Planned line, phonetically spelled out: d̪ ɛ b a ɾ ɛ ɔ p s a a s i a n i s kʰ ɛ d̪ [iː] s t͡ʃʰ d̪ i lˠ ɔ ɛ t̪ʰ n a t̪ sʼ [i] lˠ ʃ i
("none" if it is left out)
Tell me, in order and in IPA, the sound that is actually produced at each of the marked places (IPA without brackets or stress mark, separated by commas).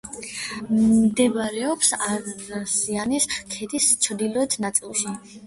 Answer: i, i